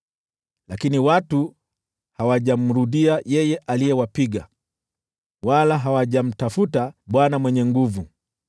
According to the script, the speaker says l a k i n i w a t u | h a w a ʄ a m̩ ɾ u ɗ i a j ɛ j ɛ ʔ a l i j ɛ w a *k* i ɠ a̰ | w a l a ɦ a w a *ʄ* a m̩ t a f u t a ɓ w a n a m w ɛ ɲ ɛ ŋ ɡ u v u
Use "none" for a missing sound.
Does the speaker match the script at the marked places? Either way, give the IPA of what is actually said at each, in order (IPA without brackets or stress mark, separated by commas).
p, ʄ